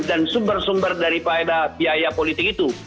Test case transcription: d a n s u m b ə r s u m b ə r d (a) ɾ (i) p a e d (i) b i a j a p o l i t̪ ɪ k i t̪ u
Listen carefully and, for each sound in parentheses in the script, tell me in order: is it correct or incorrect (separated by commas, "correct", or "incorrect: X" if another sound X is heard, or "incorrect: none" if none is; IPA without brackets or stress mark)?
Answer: correct, correct, incorrect: a